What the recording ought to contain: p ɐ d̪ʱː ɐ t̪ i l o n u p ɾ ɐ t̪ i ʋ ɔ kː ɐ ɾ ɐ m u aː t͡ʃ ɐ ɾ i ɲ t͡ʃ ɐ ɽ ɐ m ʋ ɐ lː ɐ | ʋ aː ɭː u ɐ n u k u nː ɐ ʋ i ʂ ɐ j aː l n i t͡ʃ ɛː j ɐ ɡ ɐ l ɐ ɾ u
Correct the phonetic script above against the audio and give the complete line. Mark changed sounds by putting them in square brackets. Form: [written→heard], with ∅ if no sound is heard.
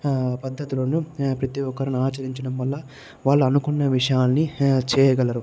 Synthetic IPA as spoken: p ɐ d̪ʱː ɐ t̪ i l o n u p ɾ ɐ t̪ i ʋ ɔ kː ɐ ɾ ɐ [m→n] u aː t͡ʃ ɐ ɾ i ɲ t͡ʃ ɐ ɽ ɐ m ʋ ɐ lː ɐ | ʋ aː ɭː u ɐ n u k u nː ɐ ʋ i ʂ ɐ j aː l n i t͡ʃ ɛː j ɐ ɡ ɐ l ɐ ɾ u